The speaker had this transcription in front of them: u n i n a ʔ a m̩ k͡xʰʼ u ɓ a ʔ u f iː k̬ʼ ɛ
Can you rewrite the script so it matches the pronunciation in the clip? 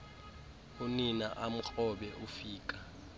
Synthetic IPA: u n i n a ʔ a m̩ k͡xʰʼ ɔ ɓ ɛ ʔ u f iː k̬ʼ a